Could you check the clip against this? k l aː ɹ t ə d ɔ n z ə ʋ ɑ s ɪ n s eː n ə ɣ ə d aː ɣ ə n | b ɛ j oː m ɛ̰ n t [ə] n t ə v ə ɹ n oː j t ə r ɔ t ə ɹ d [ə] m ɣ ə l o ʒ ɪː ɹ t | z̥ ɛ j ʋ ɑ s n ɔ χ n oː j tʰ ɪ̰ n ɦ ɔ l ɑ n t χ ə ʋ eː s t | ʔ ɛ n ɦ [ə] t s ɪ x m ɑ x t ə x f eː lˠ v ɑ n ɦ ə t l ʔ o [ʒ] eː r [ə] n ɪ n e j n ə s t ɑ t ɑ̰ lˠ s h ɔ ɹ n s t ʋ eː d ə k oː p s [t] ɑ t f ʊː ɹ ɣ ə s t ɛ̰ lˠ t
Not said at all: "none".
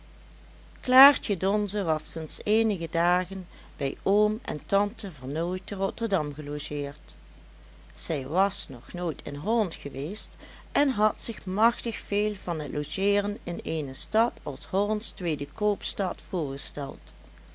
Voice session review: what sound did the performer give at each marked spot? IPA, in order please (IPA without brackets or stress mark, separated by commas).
ɑ, ɑ, ɑ, ʒ, ə, t